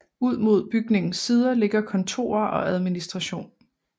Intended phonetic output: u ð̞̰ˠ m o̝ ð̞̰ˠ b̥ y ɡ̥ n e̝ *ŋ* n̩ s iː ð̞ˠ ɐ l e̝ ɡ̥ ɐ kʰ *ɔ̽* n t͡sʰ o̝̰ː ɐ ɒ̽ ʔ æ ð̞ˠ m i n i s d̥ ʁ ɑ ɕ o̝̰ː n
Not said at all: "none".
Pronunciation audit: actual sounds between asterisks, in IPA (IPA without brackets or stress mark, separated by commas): ŋ, ɒ̽